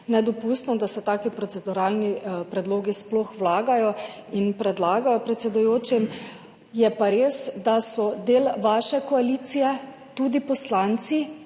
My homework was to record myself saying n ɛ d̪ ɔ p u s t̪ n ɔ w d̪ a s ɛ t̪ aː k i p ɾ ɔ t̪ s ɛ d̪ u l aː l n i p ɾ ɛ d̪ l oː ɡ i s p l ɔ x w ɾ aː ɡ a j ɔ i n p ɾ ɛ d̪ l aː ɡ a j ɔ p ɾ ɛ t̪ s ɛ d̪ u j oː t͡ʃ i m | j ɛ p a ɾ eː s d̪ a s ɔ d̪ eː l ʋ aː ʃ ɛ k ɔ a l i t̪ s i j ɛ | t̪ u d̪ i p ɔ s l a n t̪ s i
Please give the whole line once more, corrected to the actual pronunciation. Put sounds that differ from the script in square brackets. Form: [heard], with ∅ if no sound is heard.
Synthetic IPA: n ɛ d̪ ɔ p u s t̪ n ɔ [∅] d̪ a s ɛ t̪ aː k i p ɾ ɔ t̪ s ɛ d̪ u [ɾ] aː l n i p ɾ ɛ d̪ l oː ɡ i s p l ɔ x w [l] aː ɡ a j ɔ i n p ɾ ɛ d̪ l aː ɡ a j ɔ p ɾ ɛ t̪ s ɛ d̪ u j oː t͡ʃ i m | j ɛ p a ɾ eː s d̪ a s ɔ d̪ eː l ʋ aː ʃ ɛ k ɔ a l i t̪ s i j ɛ | t̪ u d̪ i p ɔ s l a n t̪ s i

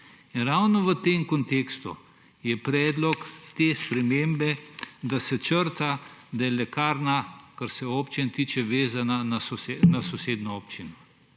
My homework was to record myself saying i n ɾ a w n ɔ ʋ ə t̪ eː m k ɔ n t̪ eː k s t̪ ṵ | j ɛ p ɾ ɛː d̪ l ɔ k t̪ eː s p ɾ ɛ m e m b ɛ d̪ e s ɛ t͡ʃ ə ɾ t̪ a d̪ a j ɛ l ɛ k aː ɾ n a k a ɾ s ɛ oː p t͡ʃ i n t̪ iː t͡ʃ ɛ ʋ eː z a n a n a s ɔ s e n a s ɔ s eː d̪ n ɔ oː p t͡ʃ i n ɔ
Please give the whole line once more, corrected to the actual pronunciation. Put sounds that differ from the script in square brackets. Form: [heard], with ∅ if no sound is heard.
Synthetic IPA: i n ɾ a w n ɔ ʋ ə t̪ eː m k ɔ n t̪ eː k s t̪ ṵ | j ɛ p ɾ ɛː d̪ l ɔ k t̪ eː s p ɾ ɛ m e m b ɛ d̪ [a] s ɛ t͡ʃ ə ɾ t̪ a d̪ a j ɛ l ɛ k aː ɾ n a k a ɾ s ɛ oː p t͡ʃ i n t̪ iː t͡ʃ ɛ ʋ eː z a n a n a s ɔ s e n a s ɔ s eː d̪ n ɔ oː p t͡ʃ i n ɔ

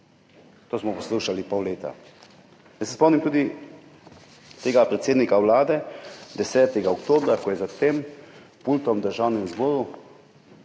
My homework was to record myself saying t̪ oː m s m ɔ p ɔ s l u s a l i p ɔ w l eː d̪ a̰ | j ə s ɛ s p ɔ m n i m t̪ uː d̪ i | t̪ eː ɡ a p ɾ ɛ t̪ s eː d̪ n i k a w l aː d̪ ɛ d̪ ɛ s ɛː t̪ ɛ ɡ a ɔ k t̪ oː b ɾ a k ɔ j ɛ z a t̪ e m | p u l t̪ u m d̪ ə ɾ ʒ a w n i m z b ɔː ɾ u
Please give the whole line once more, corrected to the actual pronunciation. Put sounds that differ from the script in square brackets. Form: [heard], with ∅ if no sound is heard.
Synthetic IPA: t̪ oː [∅] s m ɔ p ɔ s l u [ʃ] a l i p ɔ w l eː [t̪] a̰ | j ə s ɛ s p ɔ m n i m t̪ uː d̪ i | t̪ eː ɡ a p ɾ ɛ t̪ s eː d̪ n i k a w l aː d̪ ɛ d̪ ɛ s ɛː t̪ ɛ ɡ a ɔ k t̪ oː b ɾ a k ɔ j ɛ z a t̪ e m | p u l t̪ [ɔ] m d̪ ə ɾ ʒ a w n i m z b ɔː ɾ u

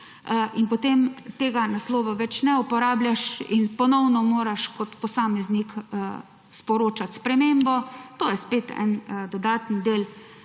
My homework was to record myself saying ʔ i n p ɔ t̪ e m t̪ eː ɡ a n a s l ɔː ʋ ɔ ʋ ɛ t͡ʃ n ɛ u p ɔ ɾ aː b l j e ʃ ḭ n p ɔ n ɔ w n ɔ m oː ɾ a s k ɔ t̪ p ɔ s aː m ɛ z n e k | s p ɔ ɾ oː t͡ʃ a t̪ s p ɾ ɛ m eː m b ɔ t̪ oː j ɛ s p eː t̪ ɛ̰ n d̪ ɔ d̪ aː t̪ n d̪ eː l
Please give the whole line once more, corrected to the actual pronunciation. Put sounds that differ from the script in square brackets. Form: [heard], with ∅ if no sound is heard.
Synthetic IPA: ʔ i n p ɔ t̪ e m t̪ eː ɡ a n a s l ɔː ʋ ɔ ʋ ɛ t͡ʃ n ɛ u p ɔ ɾ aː b l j [a] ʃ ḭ n p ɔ n ɔ w n ɔ m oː ɾ a [ʃ] k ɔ t̪ p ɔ s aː m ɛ z n [i] k | s p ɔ ɾ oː t͡ʃ a t̪ s p ɾ ɛ m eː m b ɔ t̪ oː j ɛ s p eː t̪ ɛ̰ n d̪ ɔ d̪ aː t̪ n d̪ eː l

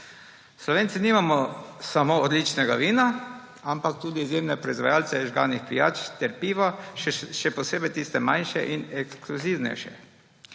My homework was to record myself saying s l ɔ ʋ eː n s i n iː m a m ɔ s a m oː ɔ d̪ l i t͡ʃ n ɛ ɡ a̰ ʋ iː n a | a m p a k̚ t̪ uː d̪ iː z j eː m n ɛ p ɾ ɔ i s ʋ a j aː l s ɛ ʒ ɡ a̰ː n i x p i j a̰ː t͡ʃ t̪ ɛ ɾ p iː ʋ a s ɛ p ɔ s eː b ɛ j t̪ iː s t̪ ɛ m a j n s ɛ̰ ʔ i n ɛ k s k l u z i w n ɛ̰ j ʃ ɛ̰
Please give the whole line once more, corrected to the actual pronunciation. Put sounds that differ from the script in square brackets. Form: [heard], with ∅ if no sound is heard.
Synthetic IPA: s l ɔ ʋ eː n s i n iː m a m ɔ s a m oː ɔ d̪ l i t͡ʃ n ɛ ɡ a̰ ʋ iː n a | a m p a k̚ t̪ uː d̪ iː z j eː m n ɛ p ɾ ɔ i [z] ʋ a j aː l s ɛ ʒ ɡ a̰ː n i x p i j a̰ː t͡ʃ t̪ ɛ ɾ p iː ʋ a [ʃ] ɛ p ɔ s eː b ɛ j t̪ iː s t̪ ɛ m a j n [ʃ] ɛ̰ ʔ i n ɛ k s k l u z i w n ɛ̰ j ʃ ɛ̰

